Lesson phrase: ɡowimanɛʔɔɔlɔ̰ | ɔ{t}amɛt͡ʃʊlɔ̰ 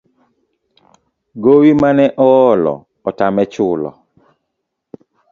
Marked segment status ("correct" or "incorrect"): correct